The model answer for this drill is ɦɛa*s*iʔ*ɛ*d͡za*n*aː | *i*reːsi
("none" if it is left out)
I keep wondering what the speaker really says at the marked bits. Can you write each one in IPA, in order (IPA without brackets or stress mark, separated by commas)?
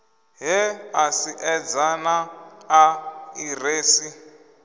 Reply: s, ɛ, n, i